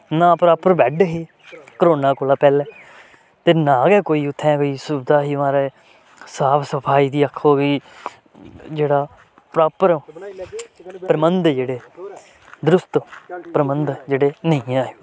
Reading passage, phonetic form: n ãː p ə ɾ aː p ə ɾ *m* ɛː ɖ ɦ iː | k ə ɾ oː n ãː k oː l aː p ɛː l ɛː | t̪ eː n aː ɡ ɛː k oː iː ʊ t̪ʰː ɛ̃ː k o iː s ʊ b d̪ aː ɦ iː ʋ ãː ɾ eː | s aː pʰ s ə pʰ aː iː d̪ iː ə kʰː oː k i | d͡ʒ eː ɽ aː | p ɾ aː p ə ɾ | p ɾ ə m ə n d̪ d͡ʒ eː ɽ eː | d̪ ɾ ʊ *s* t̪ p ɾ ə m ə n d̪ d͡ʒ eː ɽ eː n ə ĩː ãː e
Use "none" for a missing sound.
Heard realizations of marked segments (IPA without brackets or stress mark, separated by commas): b, s